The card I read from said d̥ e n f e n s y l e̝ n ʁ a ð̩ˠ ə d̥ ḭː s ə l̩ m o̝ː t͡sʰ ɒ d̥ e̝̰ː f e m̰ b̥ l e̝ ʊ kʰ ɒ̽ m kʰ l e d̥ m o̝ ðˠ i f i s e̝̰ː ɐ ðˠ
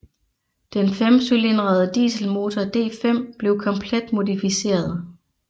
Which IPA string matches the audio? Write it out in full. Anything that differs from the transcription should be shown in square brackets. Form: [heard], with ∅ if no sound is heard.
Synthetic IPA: d̥ e n f e [m] s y l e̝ n ʁ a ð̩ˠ ə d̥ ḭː s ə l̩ m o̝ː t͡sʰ ɒ d̥ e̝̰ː f e m̰ b̥ l e̝ ʊ kʰ ɒ̽ m [pʰ] l e d̥ m o̝ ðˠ i f i s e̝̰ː ɐ ðˠ